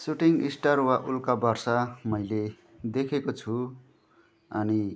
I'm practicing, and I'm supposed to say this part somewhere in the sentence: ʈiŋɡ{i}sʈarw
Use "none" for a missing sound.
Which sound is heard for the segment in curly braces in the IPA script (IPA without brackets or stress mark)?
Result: i